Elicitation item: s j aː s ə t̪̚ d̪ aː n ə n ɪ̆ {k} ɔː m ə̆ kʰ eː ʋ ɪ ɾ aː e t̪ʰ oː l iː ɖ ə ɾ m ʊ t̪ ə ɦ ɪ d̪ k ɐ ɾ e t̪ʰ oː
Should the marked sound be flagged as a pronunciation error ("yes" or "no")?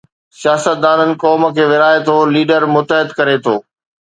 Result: no